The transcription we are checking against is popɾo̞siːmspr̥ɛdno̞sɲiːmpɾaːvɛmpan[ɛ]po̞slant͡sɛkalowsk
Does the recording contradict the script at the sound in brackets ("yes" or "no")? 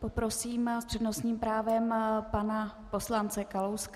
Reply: yes